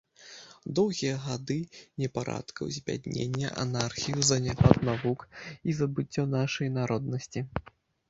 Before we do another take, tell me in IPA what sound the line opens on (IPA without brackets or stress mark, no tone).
d̪